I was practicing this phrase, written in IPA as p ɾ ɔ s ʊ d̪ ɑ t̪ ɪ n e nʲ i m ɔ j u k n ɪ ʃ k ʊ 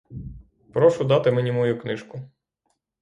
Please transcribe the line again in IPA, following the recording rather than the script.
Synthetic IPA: p ɾ ɔ ʃ ʊ d̪ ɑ t̪ ɪ m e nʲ i m ɔ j u k n ɪ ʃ k ʊ

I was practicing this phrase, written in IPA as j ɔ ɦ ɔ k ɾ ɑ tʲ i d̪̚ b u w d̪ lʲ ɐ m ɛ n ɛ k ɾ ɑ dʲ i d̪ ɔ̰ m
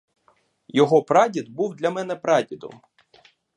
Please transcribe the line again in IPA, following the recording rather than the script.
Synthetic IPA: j ɔ ɦ ɔ p ɾ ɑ dʲ i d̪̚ b u w d̪ lʲ ɐ m ɛ n ɛ p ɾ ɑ dʲ i d̪ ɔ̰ m

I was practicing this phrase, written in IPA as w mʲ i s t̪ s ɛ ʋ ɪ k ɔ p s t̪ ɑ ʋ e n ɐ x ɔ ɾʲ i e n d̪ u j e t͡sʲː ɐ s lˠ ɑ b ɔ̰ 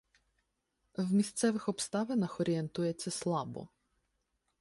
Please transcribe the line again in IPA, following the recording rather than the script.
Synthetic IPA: w mʲ i s t̪ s ɛ ʋ ɪ x ɔ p s t̪ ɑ ʋ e n ɐ x ɔ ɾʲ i e n t̪ u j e t͡sʲː ɐ s lˠ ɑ b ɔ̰

